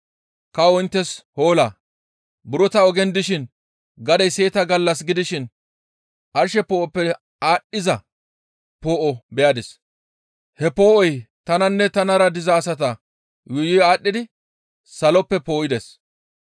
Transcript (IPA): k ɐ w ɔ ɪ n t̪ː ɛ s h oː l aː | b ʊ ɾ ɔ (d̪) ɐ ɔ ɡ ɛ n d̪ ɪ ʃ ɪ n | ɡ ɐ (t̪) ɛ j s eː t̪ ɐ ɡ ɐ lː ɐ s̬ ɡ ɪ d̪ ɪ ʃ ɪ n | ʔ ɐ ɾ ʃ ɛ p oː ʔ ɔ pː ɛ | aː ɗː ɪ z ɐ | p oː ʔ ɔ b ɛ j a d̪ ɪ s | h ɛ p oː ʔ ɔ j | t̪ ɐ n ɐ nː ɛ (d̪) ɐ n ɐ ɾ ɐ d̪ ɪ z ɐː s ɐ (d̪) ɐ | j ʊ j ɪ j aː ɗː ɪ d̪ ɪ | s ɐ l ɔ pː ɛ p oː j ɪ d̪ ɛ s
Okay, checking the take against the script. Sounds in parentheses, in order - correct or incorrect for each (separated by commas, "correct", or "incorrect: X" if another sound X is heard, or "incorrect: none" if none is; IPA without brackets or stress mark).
incorrect: t̪, incorrect: d̪, incorrect: t̪, incorrect: t̪